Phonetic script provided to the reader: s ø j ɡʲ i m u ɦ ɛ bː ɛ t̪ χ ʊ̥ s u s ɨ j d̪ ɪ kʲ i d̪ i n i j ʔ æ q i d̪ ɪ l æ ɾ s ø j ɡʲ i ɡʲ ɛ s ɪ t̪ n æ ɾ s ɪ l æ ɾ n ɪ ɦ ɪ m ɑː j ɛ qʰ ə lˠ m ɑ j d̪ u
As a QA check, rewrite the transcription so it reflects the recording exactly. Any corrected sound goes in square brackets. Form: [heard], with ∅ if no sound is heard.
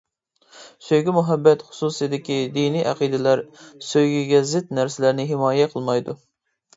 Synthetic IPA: s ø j ɡʲ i m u ɦ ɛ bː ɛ t̪ χ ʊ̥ s u s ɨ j d̪ ɪ kʲ i d̪ i n i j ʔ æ q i d̪ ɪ l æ ɾ s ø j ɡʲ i ɡʲ ɛ [z] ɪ t̪ n æ ɾ s ɪ l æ ɾ n ɪ ɦ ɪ m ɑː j ɛ qʰ ə lˠ m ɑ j d̪ u